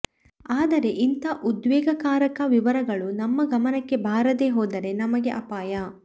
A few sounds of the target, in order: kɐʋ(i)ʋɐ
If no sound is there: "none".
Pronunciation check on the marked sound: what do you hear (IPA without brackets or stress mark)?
i